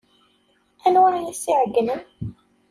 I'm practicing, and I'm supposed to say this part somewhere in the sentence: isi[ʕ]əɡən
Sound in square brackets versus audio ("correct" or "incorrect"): correct